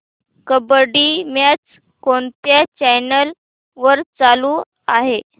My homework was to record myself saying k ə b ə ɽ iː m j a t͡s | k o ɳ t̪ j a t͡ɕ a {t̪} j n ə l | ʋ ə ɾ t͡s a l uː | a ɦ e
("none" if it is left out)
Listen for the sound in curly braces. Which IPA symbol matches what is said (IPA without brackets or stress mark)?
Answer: none